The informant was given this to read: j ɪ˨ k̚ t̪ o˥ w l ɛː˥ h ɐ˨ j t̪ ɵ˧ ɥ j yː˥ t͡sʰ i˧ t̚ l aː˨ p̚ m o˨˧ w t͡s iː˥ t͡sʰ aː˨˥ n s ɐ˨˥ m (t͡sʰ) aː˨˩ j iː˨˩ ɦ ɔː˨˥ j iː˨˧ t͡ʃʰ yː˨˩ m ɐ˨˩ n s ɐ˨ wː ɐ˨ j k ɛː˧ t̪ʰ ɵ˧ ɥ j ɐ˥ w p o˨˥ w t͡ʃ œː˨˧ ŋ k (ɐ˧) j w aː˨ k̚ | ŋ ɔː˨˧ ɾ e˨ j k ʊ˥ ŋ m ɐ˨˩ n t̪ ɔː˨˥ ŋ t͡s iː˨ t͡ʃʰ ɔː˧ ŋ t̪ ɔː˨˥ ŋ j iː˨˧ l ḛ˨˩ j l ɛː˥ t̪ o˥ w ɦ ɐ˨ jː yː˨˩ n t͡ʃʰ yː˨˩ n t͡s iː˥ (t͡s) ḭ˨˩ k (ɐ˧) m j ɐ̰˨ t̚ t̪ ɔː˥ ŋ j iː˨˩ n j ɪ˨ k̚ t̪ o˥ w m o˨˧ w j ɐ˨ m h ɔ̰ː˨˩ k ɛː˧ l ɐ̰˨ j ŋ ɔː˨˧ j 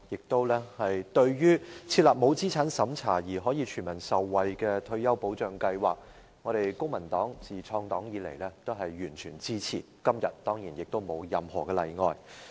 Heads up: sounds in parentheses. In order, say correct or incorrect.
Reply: correct, correct, incorrect: t͡sʰ, incorrect: ɐ˥

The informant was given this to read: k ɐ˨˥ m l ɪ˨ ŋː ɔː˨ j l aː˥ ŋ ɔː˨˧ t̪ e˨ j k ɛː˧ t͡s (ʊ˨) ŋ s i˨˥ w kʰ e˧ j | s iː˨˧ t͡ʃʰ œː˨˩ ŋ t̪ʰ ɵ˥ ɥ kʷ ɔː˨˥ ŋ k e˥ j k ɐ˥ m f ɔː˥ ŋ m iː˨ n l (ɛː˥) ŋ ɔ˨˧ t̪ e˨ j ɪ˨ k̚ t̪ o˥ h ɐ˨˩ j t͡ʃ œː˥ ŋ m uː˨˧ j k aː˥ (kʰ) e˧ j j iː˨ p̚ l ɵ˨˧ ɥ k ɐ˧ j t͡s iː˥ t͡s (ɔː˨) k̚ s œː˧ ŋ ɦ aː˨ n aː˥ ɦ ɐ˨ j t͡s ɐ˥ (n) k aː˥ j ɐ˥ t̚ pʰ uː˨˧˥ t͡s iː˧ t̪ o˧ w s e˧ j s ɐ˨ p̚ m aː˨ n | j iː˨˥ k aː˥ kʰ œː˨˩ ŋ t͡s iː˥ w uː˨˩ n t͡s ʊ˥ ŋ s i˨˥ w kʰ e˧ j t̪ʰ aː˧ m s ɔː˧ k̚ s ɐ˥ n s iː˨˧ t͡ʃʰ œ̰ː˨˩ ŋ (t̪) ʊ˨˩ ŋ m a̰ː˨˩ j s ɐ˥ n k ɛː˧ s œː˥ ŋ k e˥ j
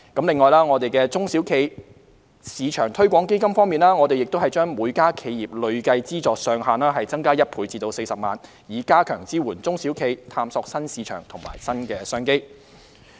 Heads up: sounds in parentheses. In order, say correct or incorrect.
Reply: incorrect: ʊ˥, incorrect: aː˥, correct, correct, incorrect: ŋ, incorrect: t̪ʰ

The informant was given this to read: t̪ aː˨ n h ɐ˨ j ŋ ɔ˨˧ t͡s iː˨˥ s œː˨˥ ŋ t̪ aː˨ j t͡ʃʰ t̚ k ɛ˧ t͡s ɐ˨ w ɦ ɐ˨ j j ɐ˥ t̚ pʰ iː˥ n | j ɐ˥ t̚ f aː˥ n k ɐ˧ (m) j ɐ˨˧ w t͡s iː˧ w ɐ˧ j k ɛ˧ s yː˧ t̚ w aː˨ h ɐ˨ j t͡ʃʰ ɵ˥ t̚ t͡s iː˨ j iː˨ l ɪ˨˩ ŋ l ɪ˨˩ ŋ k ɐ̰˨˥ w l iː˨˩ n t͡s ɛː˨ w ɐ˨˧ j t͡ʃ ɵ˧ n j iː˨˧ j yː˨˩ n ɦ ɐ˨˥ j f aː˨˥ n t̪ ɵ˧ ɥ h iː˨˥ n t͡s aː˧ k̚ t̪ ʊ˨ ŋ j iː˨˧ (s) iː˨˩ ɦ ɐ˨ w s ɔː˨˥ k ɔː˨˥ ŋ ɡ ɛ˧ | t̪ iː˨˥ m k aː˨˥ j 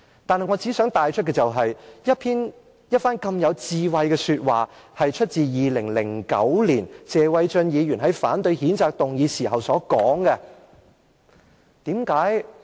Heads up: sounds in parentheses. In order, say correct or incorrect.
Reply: correct, correct

